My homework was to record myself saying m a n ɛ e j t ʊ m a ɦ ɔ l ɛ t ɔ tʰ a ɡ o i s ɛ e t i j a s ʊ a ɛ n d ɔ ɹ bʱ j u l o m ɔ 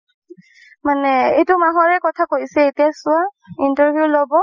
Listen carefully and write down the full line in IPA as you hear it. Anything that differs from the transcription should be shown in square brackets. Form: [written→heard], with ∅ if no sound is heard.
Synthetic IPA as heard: m a n ɛ e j t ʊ m a ɦ ɔ [l→ɹ] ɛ [t→k] ɔ tʰ a [ɡ→k] o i s ɛ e t i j a s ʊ a [ɛ→i] n [d→t] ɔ ɹ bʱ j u l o [m→b] ɔ